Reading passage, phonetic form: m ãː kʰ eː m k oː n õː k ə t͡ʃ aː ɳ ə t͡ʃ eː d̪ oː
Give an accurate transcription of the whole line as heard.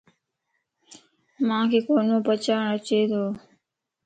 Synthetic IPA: m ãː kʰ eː k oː n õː p ə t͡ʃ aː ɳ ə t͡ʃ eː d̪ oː

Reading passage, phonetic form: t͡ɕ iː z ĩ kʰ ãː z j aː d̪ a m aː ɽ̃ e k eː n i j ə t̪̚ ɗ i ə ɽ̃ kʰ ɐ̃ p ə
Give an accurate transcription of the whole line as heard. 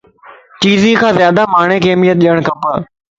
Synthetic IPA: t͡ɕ iː z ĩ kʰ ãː z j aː d̪ a m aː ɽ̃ e k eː m i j ə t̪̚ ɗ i ə ɽ̃ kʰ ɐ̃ p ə

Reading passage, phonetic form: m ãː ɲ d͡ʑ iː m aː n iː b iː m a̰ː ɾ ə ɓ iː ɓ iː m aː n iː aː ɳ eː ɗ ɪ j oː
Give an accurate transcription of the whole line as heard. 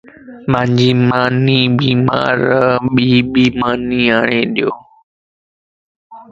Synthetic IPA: m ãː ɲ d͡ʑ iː m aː n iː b iː m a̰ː ɾ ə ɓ iː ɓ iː m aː n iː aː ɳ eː ɗ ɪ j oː

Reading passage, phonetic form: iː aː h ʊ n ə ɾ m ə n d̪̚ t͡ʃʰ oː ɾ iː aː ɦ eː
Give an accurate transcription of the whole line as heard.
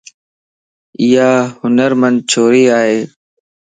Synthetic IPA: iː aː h ʊ n ə ɾ m ə n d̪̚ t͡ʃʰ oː ɾ iː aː ɦ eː

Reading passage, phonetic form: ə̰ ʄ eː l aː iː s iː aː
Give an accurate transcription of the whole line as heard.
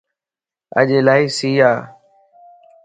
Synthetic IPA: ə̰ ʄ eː l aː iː s iː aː

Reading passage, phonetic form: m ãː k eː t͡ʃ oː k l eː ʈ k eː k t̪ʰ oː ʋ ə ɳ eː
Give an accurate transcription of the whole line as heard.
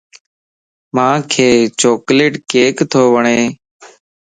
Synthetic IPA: m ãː kʰ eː t͡ʃ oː k l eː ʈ k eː k t̪ʰ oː ʋ ə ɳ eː

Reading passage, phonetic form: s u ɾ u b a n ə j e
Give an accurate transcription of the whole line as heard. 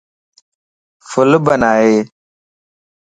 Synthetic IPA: f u l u b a n a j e

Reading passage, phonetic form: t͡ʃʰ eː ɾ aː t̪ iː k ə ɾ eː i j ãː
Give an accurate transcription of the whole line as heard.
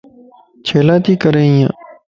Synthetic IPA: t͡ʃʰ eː l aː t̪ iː k ə ɾ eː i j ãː

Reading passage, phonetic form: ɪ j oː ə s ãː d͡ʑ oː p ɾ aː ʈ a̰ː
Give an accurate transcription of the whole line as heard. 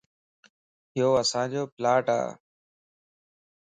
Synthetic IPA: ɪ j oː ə s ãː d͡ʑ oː p l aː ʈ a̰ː

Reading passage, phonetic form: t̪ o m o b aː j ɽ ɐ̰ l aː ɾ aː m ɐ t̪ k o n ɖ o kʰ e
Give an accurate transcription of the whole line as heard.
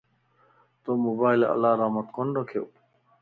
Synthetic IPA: t̪ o m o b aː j l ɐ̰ l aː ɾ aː m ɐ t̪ k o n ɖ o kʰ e

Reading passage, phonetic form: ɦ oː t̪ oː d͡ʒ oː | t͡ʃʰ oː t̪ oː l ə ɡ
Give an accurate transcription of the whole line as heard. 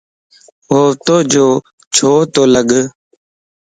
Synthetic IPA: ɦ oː t̪ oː d͡ʒ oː | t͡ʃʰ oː t̪ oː l ə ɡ

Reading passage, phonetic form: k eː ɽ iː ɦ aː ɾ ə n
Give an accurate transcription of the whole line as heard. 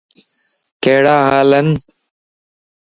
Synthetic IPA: k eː ɽ aː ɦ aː l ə n

